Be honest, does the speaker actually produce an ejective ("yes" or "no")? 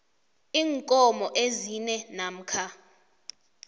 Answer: yes